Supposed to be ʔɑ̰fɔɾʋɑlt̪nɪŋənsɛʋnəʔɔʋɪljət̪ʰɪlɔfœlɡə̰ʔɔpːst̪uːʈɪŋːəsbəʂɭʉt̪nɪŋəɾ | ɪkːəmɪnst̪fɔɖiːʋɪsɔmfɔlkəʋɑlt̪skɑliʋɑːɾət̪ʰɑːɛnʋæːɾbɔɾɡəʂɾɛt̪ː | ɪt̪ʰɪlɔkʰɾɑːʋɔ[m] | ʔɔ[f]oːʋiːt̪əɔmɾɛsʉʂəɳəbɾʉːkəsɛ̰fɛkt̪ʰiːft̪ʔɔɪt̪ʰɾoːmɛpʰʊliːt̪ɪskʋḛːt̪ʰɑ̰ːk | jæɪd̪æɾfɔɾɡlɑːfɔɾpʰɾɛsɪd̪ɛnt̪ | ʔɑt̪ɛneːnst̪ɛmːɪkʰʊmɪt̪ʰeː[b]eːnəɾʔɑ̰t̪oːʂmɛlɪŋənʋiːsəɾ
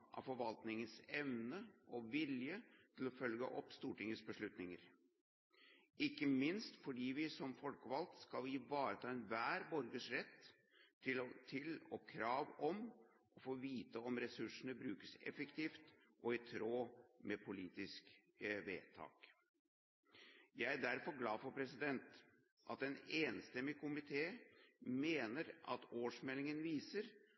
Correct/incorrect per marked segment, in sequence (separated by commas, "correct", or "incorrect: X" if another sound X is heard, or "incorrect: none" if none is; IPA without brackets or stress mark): correct, correct, incorrect: m